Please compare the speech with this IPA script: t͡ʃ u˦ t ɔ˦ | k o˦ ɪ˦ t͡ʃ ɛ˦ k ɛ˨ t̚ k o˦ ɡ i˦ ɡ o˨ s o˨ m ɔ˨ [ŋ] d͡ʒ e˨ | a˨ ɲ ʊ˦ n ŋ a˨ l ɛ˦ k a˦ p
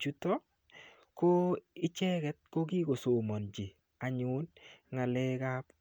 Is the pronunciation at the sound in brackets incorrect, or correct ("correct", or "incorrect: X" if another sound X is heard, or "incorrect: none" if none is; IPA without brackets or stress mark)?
incorrect: n